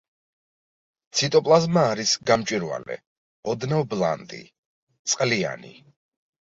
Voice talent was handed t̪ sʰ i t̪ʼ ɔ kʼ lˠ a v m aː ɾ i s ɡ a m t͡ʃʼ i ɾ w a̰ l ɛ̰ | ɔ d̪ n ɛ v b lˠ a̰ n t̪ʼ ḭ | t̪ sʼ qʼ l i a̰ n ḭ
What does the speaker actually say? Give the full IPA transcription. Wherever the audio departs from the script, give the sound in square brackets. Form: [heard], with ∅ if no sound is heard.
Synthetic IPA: t̪ sʰ i t̪ʼ ɔ [pʼ] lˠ a [z] m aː ɾ i s ɡ a m t͡ʃʼ i ɾ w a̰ l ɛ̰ | ɔ d̪ n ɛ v b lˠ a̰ n t̪ʼ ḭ | t̪ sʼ qʼ l i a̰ n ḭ